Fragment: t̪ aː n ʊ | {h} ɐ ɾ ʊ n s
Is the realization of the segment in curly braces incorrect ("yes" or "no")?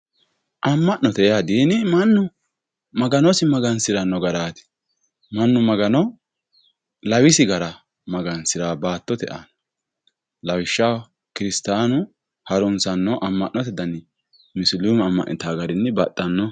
no